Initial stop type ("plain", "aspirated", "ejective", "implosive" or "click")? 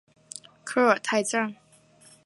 aspirated